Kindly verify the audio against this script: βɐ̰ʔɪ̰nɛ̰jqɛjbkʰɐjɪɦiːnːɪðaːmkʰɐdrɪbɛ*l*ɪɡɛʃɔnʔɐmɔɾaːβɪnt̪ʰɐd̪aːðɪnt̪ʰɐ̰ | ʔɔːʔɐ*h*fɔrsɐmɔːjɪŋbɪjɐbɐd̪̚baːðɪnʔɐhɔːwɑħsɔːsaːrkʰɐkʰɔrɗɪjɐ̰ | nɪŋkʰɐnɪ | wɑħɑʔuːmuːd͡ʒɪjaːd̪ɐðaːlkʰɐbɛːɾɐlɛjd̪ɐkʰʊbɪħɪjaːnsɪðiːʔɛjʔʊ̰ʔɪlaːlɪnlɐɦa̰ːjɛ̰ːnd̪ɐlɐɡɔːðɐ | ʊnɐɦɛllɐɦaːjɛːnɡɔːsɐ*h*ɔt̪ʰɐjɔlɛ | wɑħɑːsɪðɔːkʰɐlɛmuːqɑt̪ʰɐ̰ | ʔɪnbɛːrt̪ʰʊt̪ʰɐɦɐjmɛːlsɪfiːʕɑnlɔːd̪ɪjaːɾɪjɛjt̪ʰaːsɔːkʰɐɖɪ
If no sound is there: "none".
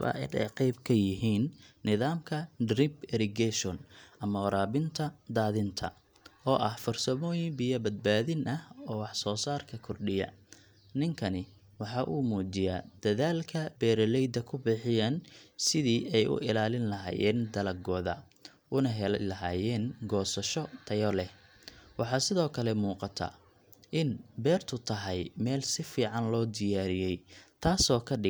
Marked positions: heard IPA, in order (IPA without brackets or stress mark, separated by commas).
ɾ, h, ʃ